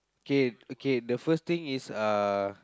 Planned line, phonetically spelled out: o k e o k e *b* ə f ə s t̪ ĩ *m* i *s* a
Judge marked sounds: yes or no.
no, no, yes

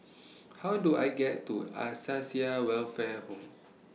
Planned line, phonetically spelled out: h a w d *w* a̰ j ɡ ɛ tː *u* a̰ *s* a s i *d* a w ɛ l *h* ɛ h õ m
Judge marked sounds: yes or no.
no, yes, yes, no, no

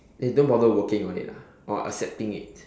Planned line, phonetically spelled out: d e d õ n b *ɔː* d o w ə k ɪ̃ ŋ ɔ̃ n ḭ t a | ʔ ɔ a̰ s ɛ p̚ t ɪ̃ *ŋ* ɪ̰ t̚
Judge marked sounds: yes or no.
no, yes

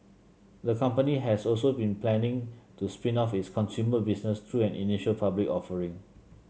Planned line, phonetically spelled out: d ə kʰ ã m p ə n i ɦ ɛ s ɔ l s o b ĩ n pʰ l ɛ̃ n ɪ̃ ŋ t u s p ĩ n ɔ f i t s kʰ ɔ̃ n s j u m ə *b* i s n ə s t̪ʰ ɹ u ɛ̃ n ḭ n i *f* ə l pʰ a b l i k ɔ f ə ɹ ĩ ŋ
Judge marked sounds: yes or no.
yes, no

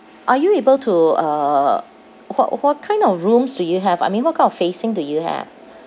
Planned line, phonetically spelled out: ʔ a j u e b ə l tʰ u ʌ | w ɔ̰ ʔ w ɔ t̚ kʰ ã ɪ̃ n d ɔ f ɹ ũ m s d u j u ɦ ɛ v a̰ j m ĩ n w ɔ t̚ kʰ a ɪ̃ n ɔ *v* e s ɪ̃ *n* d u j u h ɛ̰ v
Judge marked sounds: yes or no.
no, no

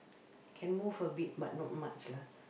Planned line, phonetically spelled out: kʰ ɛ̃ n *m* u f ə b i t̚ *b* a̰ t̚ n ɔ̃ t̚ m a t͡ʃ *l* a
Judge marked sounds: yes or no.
yes, yes, yes

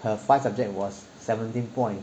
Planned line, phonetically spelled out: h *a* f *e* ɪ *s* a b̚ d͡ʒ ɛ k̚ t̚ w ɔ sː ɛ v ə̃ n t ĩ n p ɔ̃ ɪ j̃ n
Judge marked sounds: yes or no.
no, no, yes

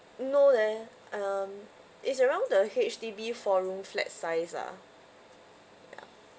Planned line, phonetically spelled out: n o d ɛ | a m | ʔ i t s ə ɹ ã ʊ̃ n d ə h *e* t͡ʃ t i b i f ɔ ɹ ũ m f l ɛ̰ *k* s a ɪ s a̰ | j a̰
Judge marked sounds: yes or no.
yes, no

